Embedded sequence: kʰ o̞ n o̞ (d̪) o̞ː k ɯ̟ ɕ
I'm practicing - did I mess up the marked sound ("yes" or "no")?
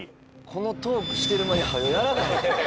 yes